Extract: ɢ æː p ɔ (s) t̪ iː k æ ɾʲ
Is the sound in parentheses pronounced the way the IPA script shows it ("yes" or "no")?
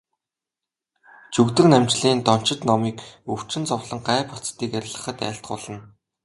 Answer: no